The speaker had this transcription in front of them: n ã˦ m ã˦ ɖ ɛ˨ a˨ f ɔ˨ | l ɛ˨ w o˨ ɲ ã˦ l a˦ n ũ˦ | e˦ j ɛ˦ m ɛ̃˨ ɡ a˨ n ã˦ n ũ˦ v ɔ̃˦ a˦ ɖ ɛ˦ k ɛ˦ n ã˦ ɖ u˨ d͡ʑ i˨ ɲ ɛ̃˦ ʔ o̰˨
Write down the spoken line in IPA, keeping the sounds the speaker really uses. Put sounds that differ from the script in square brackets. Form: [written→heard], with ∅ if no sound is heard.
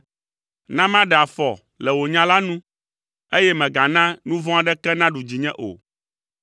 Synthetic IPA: n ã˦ m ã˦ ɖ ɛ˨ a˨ f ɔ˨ | l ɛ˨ w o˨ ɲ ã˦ l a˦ n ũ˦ | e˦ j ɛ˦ m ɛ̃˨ ɡ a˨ n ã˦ n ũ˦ v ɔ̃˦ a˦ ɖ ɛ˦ k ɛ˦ n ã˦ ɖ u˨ d͡ʑ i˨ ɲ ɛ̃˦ ʔ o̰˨